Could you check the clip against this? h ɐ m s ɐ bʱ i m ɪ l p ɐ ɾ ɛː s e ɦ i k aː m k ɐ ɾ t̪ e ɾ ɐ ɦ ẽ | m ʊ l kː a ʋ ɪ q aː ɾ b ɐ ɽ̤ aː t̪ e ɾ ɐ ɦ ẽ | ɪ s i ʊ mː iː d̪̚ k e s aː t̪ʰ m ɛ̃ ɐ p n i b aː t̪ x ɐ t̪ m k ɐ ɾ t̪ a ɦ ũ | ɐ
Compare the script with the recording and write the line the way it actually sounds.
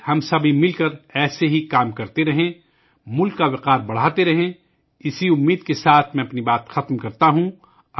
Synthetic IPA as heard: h ɐ m s ɐ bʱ i m ɪ l k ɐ ɾ ɛː s e ɦ i k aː m k ɐ ɾ t̪ e ɾ ɐ ɦ ẽ | m ʊ l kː a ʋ ɪ q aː ɾ b ɐ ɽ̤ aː t̪ e ɾ ɐ ɦ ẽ | ɪ s i ʊ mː iː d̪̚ k e s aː t̪ʰ m ɛ̃ ɐ p n i b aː t̪ x ɐ t̪ m k ɐ ɾ t̪ a ɦ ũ | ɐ